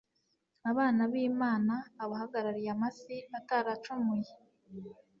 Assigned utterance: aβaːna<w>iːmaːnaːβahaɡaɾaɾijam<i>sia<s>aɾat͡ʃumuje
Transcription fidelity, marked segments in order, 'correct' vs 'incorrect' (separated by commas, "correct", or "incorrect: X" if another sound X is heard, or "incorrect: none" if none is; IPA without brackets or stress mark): incorrect: β, incorrect: a, incorrect: t